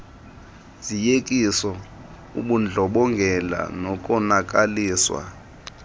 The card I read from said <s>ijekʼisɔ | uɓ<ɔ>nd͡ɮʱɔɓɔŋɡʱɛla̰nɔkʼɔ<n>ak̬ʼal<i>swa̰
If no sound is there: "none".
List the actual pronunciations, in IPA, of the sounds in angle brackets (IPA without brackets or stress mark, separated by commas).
z, u, n, iː